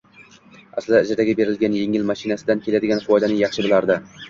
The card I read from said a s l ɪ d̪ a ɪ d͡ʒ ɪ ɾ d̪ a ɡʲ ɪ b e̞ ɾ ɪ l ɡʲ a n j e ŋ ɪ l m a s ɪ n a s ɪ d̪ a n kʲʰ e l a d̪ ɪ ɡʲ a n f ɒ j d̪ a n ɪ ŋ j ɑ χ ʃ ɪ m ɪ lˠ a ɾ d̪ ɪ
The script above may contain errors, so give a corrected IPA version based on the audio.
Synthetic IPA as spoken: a s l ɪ d̪ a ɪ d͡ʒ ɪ ɾ d̪ a ɡʲ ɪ b e̞ ɾ ɪ l ɡʲ a n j e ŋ ɪ l m a ʃ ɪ n a s ɪ d̪ a n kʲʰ e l a d̪ ɪ ɡʲ a n f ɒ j d̪ a n ɪ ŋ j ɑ χ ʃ ɪ b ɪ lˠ a ɾ d̪ ɪ